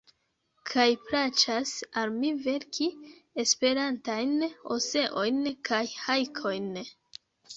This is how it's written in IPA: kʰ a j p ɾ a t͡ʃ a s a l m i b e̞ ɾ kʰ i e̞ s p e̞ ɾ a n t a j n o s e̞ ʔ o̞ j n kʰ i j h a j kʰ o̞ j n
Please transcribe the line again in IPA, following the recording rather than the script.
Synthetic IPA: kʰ a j p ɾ a t͡ʃ a s a l m i v e̞ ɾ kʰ i e̞ s p e̞ ɾ a n t a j n o s e̞ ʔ o̞ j n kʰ a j h a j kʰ o̞ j n